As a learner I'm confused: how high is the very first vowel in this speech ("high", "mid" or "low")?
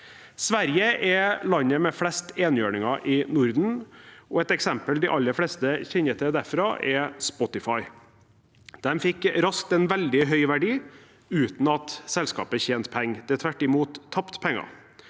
low